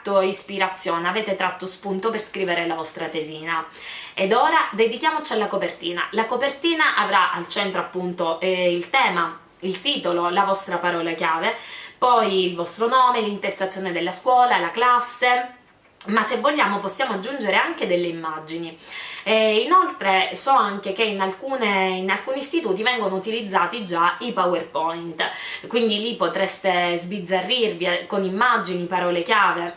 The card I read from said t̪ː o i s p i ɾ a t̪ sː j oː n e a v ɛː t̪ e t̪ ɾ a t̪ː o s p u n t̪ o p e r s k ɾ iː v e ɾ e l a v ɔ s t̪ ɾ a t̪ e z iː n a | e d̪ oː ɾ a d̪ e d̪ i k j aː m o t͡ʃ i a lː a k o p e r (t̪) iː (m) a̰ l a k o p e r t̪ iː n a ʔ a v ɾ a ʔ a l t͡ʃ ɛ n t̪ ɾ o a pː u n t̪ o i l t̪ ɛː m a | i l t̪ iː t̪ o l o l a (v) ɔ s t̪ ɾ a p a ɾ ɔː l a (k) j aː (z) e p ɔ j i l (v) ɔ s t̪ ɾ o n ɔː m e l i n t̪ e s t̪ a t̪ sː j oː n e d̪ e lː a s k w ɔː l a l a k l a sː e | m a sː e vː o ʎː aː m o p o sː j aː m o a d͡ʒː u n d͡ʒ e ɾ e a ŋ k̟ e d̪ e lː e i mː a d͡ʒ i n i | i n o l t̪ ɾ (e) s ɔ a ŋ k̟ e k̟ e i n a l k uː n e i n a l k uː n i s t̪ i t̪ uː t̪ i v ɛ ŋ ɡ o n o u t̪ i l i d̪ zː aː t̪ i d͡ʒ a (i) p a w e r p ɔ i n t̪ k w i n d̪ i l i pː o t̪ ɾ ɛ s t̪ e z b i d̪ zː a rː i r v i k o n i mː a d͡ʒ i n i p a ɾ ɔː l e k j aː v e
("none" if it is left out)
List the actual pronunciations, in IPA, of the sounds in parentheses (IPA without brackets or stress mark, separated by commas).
t̪, n, v, k, v, v, e, i